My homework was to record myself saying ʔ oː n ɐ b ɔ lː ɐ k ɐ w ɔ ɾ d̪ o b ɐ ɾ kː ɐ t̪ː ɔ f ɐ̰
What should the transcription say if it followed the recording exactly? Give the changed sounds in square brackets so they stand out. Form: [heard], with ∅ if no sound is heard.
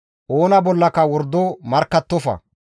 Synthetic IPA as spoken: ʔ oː n ɐ b ɔ lː ɐ k ɐ w ɔ ɾ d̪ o [m] ɐ ɾ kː ɐ t̪ː ɔ f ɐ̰